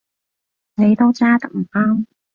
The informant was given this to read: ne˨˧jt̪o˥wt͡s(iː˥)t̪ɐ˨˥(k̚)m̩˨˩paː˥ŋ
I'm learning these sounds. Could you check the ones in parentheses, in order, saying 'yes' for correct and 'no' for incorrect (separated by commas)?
no, yes